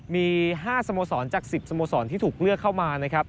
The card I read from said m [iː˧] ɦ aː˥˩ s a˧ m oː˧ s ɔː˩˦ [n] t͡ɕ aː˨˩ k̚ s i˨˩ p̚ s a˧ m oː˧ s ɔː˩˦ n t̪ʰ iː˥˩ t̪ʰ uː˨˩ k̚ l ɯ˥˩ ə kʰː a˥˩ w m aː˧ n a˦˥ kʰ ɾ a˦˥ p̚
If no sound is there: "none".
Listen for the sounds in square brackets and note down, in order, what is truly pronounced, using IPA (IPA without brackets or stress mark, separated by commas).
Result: iː˧, n